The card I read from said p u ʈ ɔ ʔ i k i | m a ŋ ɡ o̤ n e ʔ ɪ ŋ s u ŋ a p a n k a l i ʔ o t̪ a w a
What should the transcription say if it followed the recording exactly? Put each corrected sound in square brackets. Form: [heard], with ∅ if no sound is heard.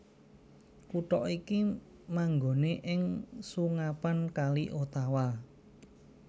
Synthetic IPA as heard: [k] u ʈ ɔ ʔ i k i | m a ŋ ɡ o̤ n e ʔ ɪ ŋ s u ŋ a p a n k a l i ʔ o t̪ a w a